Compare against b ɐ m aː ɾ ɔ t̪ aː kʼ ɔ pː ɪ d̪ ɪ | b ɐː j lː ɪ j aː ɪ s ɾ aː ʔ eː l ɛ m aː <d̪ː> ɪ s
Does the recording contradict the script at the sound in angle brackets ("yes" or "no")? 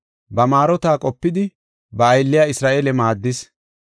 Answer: no